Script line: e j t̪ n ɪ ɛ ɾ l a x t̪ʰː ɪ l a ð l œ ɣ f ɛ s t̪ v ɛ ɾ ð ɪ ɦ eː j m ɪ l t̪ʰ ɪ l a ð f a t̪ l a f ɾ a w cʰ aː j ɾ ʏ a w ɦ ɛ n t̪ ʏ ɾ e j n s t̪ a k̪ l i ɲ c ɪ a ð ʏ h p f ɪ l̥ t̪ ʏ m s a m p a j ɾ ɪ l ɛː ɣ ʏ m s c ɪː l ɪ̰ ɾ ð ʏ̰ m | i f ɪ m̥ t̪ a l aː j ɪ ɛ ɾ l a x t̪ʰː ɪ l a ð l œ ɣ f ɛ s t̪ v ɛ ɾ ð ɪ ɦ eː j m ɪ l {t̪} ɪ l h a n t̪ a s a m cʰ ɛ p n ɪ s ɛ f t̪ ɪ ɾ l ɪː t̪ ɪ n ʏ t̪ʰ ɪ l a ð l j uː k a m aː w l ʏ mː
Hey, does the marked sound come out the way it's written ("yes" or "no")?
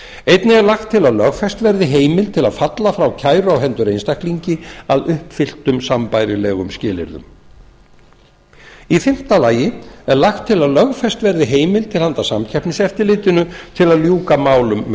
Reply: no